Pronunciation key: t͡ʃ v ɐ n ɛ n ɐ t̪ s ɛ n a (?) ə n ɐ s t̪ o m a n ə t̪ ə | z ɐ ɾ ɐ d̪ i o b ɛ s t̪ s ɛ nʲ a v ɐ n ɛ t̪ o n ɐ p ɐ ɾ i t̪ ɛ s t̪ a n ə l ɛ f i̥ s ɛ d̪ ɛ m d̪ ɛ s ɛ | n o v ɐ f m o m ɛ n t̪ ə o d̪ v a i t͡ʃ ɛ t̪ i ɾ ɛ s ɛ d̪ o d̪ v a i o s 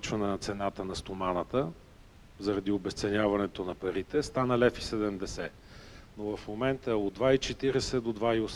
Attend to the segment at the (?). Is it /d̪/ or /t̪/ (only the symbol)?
t̪